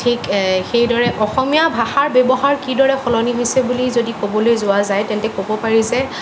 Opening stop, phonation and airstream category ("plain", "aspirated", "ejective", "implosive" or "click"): aspirated